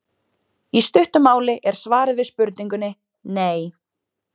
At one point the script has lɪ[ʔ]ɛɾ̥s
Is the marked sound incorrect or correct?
correct